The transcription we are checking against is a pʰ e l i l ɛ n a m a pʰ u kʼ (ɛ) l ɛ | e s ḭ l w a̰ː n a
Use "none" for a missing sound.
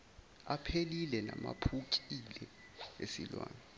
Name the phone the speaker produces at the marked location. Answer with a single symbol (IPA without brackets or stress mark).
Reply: i